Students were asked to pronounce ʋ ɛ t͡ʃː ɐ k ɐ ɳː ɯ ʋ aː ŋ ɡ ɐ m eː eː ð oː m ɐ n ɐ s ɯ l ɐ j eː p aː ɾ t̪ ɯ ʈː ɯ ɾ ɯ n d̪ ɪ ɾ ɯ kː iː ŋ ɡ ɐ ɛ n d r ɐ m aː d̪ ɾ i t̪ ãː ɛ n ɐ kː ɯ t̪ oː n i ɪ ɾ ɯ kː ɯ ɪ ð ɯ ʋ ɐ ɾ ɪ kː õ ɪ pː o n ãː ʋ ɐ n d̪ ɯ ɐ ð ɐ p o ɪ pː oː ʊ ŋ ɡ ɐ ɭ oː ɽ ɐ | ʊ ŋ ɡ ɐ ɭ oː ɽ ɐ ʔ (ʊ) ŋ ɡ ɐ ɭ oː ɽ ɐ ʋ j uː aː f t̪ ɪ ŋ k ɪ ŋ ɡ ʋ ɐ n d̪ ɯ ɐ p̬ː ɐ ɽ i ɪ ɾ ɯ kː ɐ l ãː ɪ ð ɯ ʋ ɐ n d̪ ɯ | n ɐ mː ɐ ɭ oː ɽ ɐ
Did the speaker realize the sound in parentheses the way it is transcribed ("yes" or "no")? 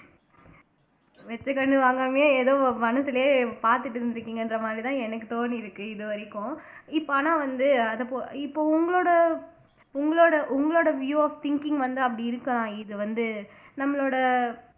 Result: yes